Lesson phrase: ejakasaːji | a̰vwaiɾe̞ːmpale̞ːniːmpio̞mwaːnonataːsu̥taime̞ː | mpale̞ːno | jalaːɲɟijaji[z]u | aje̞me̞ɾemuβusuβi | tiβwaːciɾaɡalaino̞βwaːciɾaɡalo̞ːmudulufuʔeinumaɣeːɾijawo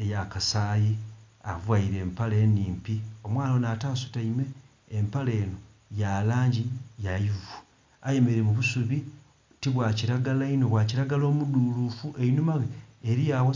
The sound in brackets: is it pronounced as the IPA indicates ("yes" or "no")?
no